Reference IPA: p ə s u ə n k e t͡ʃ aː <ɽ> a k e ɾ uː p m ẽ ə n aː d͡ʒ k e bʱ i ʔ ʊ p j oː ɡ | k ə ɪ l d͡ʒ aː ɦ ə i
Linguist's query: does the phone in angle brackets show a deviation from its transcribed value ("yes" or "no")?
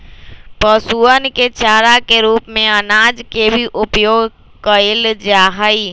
yes